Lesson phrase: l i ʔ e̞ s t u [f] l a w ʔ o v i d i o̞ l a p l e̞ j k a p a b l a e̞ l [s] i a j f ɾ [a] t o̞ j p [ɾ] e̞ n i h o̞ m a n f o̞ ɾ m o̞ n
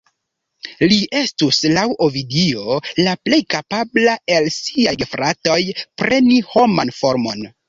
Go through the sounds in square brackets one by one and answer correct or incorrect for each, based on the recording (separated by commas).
incorrect, correct, correct, correct